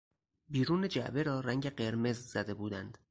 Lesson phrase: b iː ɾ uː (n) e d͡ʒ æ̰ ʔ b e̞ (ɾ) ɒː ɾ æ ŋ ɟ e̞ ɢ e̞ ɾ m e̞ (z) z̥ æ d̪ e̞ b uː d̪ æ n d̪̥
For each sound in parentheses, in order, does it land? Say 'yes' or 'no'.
yes, yes, yes

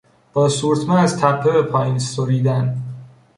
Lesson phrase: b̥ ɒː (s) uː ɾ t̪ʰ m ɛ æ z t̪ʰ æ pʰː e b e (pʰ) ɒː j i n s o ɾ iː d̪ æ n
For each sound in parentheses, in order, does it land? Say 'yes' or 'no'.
yes, yes

